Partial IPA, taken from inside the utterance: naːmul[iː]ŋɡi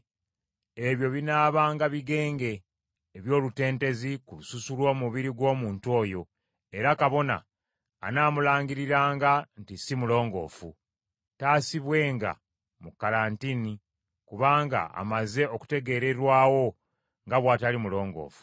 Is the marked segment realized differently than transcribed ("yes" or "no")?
yes